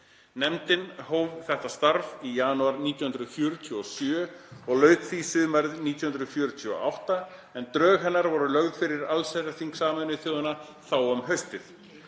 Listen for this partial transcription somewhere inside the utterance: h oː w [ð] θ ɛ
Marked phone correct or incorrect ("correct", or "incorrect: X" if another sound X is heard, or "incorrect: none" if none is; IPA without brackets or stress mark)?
incorrect: v